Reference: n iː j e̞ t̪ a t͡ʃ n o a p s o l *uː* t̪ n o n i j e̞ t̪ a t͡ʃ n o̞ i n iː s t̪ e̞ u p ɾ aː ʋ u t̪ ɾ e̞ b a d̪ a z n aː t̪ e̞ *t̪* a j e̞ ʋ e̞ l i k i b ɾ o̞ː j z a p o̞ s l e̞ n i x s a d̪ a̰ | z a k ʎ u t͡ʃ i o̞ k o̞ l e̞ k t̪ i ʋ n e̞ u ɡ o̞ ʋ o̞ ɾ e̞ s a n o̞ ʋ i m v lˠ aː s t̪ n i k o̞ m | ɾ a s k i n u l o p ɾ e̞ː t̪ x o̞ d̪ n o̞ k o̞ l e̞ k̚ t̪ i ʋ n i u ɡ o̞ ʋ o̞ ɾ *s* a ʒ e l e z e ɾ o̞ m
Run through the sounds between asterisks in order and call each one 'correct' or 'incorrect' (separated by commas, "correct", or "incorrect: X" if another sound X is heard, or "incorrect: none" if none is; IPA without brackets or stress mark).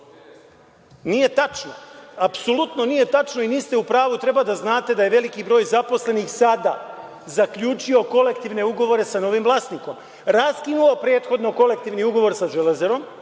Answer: incorrect: u, incorrect: d̪, correct